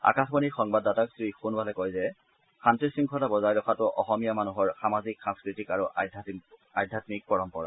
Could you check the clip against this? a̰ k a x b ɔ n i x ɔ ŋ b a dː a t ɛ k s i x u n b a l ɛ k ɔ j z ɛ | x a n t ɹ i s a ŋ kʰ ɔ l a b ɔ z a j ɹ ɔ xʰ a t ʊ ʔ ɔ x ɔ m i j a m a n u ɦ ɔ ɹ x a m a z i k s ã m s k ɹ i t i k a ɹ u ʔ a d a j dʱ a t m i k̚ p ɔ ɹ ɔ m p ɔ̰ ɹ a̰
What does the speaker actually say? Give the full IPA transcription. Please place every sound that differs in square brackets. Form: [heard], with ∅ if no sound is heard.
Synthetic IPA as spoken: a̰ k a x b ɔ n i x ɔ ŋ b a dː a t [a] k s i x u n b a l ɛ k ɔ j z ɛ | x a n t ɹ i s [i] ŋ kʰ ɔ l a b ɔ z a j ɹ ɔ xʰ a t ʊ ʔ ɔ x ɔ m i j a m a n u ɦ ɔ ɹ x a m a z i k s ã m s k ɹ i t i k a ɹ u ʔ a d a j dʱ a t m i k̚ p ɔ ɹ ɔ m p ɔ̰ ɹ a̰